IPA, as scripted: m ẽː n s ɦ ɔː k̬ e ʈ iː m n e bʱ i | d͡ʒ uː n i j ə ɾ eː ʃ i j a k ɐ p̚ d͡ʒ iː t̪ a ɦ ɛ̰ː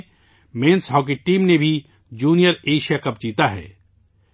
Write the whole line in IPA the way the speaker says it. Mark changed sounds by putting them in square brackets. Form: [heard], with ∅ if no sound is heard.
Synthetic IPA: m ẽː n s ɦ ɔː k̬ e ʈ iː m n e bʱ i | d͡ʒ uː n i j ə ɾ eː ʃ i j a k ɐ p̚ d͡ʒ iː t̪ a ɦ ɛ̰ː